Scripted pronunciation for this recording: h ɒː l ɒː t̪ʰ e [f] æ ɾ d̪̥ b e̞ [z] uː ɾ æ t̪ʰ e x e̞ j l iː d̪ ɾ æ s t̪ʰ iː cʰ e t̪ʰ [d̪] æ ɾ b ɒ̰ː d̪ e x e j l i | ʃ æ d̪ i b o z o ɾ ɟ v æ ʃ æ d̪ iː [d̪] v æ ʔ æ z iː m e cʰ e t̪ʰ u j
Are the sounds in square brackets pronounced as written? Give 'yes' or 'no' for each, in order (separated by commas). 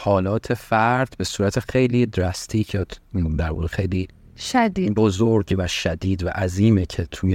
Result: yes, no, yes, yes